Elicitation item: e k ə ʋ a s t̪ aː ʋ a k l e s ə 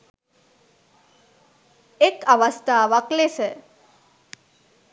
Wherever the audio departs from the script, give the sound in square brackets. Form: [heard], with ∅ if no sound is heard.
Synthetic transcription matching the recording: e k [a] ʋ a s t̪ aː ʋ a k l e s ə